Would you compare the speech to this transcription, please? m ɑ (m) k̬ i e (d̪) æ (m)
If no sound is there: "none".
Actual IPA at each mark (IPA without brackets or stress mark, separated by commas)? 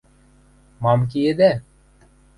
m, d̪, none